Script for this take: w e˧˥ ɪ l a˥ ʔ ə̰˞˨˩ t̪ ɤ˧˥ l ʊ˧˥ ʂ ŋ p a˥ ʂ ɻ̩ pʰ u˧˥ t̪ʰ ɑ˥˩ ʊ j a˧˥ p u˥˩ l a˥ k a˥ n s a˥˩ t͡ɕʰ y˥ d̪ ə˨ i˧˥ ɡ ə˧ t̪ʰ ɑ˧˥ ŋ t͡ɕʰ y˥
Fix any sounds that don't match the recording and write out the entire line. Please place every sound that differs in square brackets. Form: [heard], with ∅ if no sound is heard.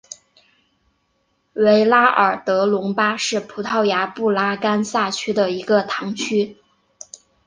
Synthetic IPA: w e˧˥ ɪ l a˥ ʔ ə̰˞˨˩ t̪ ɤ˧˥ l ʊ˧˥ [∅] ŋ p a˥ ʂ ɻ̩ pʰ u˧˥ t̪ʰ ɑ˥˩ ʊ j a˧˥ p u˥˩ l a˥ k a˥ n s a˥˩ t͡ɕʰ y˥ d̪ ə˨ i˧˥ ɡ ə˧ t̪ʰ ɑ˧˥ ŋ t͡ɕʰ y˥